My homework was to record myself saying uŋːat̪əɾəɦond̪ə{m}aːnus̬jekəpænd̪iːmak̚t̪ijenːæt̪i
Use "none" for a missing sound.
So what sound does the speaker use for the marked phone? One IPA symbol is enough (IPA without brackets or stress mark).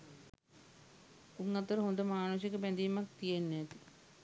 m